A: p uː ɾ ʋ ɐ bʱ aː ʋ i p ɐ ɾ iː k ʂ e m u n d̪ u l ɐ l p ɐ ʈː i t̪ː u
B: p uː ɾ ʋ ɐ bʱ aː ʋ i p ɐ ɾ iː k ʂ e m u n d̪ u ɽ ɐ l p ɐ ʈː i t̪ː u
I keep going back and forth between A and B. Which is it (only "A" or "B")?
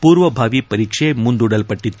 B